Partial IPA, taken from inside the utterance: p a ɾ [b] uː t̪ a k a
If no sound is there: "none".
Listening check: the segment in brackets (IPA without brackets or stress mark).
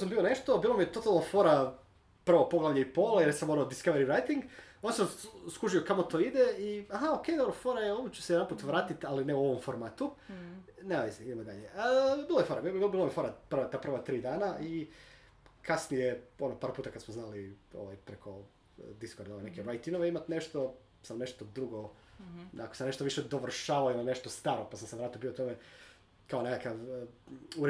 p